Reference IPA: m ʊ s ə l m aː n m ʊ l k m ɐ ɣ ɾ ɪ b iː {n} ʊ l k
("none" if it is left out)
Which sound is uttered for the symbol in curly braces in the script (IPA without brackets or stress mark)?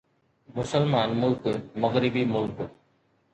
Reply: m